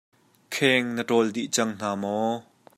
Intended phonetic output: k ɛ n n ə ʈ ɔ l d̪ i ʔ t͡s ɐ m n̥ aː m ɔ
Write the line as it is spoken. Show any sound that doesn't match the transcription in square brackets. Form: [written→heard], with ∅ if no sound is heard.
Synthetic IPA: [k→kʰ] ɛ [n→ŋ] n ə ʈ ɔ l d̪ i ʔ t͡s ɐ [m→ŋ] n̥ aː m ɔ

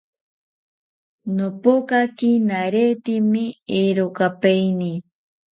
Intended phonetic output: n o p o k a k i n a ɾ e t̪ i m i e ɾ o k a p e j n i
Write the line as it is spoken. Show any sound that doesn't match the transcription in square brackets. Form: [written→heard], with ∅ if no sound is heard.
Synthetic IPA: n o p o k a k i n a ɾ e t̪ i m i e ɾ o k a p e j n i

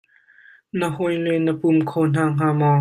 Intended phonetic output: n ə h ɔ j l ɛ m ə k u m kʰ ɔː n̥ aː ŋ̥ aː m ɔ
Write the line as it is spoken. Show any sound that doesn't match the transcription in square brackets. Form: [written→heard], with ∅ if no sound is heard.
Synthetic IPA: n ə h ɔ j l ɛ [m→n] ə [k→p] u m kʰ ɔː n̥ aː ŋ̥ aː m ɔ

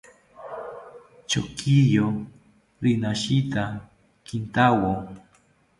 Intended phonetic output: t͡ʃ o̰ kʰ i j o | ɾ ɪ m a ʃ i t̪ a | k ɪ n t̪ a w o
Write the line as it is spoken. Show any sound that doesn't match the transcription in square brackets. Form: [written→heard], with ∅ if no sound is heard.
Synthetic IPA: t͡ʃ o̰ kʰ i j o | ɾ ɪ [m→n] a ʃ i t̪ a | k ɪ n t̪ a w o

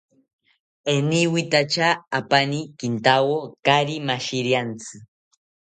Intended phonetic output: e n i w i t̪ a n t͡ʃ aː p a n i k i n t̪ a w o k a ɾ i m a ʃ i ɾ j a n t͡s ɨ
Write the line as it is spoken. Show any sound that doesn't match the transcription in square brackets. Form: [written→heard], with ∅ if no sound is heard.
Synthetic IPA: e n i w i t̪ a [n→∅] t͡ʃ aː p a n i k i n t̪ a w o k a ɾ i m a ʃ i ɾ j a n t͡s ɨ

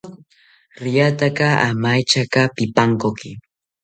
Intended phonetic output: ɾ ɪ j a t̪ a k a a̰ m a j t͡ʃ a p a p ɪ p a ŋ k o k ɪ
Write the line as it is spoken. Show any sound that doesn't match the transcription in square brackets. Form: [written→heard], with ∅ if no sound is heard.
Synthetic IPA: ɾ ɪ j a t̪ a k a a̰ m a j t͡ʃ a [p→k] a p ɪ p a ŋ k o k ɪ

